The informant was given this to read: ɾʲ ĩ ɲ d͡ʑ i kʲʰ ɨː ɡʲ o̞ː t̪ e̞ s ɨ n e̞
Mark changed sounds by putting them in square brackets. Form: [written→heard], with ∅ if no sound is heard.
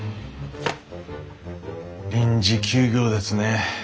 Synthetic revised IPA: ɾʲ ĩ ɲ d͡ʑ i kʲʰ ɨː ɡʲ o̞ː [t̪→d̪] e̞ s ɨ n e̞

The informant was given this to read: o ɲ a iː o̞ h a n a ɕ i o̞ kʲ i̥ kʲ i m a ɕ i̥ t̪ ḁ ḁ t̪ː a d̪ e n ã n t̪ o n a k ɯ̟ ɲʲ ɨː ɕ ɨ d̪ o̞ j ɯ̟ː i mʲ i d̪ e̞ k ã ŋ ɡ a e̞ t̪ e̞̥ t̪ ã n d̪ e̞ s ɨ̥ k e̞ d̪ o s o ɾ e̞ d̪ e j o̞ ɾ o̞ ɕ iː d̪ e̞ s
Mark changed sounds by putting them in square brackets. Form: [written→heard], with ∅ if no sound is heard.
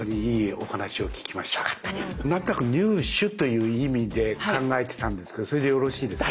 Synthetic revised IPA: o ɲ [a→i] iː o̞ h a n a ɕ i o̞ kʲ i̥ kʲ i m a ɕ i̥ t̪ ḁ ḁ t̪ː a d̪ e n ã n t̪ o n a k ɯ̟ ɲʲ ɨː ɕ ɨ [d̪→t̪] o̞ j ɯ̟ː i mʲ i d̪ e̞ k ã ŋ ɡ a e̞ t̪ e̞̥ t̪ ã n d̪ e̞ s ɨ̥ k e̞ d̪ o s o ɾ e̞ d̪ e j o̞ ɾ o̞ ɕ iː d̪ e̞ s

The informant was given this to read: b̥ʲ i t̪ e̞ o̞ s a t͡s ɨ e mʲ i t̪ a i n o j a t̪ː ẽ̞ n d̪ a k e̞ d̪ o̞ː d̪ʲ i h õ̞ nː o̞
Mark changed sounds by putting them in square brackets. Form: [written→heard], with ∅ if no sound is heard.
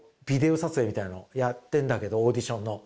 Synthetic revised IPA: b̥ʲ i [t̪→d̪] e̞ o̞ s a t͡s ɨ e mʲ i t̪ a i n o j a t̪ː ẽ̞ n d̪ a k e̞ d̪ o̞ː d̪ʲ i [h→ɕ] õ̞ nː o̞

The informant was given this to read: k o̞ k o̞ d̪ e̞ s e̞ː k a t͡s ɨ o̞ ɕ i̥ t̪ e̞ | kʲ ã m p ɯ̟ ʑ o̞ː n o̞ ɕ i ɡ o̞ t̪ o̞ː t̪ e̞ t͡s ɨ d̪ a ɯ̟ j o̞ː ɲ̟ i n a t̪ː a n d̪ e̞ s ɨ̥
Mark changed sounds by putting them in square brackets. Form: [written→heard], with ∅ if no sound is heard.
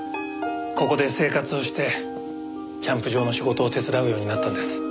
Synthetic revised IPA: k o̞ k o̞ d̪ e̞ s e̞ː k a t͡s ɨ o̞ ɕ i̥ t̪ e̞ | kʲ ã m p ɯ̟ ʑ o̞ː n o̞ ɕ i ɡ o̞ t̪ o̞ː t̪ e̞ t͡s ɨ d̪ a ɯ̟ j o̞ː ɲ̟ i n a t̪ː a n d̪ e̞ s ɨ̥

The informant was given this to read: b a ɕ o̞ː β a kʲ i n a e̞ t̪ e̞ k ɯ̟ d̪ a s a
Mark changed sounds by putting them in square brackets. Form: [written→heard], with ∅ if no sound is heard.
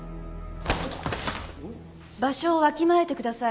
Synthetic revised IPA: b a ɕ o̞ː β a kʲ i [n→m] a e̞ t̪ e̞ k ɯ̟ d̪ a s a

